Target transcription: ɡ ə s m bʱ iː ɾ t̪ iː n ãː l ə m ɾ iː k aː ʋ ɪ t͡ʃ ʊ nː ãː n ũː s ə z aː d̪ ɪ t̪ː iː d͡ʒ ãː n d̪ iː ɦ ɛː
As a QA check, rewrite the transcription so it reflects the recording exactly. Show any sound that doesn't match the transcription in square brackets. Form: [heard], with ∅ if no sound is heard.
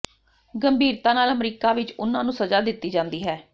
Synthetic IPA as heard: ɡ ə [∅] m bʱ iː ɾ t̪ [aː] n [aː] l ə m ɾ iː k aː ʋ ɪ t͡ʃ ʊ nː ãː n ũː s ə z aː d̪ ɪ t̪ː iː d͡ʒ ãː n d̪ iː ɦ ɛː